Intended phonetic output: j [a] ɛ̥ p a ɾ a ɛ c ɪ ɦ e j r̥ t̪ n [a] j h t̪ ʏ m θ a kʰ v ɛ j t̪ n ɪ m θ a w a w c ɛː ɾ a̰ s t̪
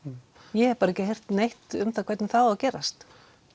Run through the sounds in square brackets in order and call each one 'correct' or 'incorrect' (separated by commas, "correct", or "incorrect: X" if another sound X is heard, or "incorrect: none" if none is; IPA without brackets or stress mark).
incorrect: ɛ, incorrect: e